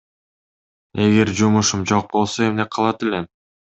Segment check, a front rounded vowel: absent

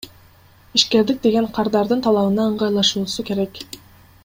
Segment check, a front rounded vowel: absent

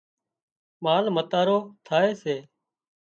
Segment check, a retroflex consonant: absent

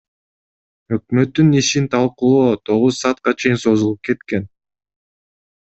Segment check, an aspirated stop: present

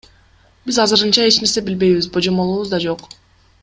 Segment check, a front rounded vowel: absent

